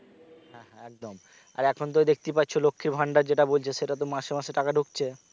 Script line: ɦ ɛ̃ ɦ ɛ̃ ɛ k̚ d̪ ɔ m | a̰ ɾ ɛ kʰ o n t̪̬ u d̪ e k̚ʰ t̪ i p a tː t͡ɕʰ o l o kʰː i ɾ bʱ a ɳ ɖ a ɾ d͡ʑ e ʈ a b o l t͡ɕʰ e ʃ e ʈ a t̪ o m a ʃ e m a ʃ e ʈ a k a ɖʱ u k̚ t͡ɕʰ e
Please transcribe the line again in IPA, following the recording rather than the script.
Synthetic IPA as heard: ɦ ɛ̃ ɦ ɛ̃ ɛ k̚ d̪ o m | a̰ ɾ ɛ kʰ o n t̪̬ o d̪ e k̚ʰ t̪ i p a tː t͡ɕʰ o l o kʰː i ɾ bʱ a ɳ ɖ a ɾ d͡ʑ e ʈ a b o l t͡ɕʰ e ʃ e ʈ a t̪ o m a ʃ e m a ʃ e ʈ a k a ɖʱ u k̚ t͡ɕʰ e